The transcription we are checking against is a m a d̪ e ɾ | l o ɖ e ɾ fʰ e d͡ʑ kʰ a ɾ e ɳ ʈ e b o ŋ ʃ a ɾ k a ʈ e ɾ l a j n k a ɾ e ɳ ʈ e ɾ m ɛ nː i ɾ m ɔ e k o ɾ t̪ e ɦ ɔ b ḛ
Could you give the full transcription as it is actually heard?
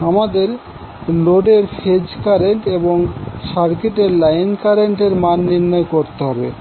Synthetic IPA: a m a d̪ e ɾ | l o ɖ e ɾ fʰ e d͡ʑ k a ɾ e ɳ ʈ e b o ŋ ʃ a ɾ k e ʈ e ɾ l a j n k a ɾ e ɳ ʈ e ɾ m a nː i ɾ n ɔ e k o ɾ t̪ e ɦ ɔ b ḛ